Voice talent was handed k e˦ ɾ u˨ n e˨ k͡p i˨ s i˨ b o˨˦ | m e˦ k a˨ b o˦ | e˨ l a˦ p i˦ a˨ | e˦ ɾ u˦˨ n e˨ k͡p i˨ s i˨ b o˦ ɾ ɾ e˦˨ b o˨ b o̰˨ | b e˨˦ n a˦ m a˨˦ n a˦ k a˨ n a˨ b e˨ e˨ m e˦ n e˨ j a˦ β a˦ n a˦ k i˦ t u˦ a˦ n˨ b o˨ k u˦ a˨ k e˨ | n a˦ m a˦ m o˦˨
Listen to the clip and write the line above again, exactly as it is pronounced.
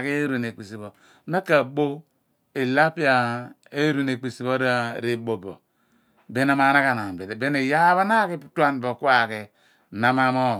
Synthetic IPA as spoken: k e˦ ɾ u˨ n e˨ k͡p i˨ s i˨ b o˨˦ | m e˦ k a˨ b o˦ | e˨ l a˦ p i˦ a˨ | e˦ ɾ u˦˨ n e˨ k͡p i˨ s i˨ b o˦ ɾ ɾ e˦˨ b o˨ b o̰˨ | b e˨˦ n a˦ m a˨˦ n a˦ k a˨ n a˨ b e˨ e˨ b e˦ n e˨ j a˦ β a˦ n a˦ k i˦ t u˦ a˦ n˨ b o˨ k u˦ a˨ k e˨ | n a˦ m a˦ m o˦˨

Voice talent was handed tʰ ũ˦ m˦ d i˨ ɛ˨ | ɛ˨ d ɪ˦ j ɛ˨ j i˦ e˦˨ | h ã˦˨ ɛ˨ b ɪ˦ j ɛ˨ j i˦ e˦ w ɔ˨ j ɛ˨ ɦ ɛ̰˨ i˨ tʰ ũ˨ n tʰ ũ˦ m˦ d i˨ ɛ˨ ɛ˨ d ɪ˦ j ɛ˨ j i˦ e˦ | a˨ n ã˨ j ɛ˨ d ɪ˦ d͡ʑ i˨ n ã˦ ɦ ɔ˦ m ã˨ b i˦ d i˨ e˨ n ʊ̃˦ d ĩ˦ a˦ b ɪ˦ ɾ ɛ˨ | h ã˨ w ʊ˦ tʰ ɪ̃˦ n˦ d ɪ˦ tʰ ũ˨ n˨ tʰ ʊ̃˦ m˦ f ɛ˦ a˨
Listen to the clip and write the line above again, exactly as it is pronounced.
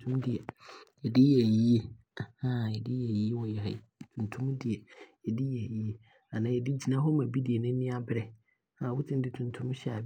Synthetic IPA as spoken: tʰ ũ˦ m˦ d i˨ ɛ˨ | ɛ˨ d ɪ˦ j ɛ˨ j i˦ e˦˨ | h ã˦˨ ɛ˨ d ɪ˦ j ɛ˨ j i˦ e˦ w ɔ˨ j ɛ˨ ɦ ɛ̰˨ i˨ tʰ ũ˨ n tʰ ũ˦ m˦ d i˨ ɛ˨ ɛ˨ d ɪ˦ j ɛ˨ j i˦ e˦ | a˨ n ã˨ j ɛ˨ d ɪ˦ d͡ʑ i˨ n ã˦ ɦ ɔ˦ m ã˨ b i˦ d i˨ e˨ n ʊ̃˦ n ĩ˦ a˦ b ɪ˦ ɾ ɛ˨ | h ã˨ w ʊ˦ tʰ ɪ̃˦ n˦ d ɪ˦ tʰ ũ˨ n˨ tʰ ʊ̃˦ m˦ ɕ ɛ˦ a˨

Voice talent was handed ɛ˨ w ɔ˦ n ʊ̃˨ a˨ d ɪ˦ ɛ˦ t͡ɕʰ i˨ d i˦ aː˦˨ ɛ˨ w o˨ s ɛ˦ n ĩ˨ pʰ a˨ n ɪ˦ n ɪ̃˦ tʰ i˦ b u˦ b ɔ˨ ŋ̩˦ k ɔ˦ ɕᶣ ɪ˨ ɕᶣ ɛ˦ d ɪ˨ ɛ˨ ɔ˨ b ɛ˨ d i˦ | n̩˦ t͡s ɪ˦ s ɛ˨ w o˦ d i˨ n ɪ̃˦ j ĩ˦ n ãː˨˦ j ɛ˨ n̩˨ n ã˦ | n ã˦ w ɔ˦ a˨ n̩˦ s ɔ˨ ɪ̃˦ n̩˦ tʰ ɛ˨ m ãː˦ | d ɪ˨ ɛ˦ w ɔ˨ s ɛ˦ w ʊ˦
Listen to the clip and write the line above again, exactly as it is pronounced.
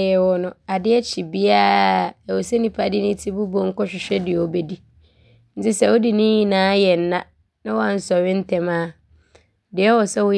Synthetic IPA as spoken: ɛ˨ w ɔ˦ n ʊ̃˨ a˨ d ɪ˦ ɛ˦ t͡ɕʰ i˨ b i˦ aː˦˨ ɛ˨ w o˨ s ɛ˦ n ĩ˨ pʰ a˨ d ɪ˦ n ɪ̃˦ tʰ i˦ b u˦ b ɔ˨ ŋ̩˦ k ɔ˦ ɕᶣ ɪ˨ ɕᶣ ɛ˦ d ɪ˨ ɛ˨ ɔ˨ b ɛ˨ d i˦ | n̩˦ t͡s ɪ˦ s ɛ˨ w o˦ d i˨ n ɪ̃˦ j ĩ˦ n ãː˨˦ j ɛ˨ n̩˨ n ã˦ | n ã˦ w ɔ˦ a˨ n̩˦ s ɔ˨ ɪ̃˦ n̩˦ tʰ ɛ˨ m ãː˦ | d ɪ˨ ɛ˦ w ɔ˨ s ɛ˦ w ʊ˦

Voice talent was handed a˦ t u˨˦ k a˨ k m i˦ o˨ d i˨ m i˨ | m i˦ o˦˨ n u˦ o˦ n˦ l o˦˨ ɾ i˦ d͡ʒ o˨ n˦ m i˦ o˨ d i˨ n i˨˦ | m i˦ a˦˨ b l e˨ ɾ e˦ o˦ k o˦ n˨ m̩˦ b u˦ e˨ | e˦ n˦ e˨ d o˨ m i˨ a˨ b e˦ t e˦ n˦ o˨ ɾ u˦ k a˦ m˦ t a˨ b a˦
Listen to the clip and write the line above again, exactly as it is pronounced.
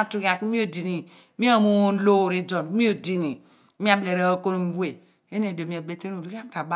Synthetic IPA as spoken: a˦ t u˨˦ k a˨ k m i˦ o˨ d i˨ n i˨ | m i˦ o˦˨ m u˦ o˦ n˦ l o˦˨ ɾ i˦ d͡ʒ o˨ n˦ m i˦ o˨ d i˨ n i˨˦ | m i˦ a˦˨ b l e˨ ɾ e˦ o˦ k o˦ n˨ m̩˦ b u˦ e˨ | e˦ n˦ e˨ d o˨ m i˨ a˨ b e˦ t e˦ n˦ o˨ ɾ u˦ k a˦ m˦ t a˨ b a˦

